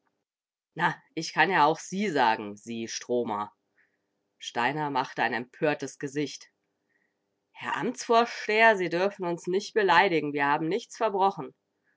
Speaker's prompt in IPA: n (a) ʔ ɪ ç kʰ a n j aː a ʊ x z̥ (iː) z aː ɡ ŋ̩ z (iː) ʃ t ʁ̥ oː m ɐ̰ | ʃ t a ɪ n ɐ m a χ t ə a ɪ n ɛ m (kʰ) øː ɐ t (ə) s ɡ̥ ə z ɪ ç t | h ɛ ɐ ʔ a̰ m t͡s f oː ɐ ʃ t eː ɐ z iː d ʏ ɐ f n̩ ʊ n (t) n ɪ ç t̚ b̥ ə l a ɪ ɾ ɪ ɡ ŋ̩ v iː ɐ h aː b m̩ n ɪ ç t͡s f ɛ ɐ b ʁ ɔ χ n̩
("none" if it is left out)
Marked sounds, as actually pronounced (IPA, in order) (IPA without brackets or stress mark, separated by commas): a, iː, iː, pʰ, ə, s